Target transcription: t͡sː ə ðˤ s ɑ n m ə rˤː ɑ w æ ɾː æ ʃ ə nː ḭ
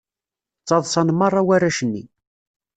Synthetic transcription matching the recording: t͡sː ɑ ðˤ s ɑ n m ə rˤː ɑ w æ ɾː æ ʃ ə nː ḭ